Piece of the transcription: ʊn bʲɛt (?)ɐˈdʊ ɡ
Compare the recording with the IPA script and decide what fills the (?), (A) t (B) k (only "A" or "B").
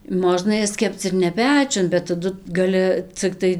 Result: A